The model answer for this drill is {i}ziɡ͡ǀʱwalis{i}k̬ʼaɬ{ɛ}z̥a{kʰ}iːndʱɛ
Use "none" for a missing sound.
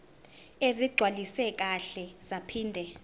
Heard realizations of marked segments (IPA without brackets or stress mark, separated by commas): e, ɛ, ɛ, pʰ